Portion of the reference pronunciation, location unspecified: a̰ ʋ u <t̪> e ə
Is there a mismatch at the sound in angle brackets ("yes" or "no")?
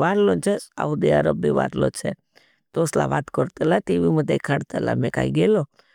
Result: yes